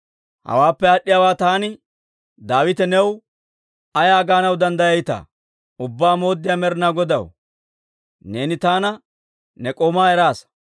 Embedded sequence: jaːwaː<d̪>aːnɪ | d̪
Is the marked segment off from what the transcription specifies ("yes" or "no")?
yes